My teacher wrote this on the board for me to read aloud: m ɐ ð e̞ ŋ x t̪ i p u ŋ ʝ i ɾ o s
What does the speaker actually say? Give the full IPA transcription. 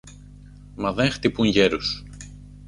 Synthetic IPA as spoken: m ɐ ð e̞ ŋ x t̪ i p u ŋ ʝ e ɾ u s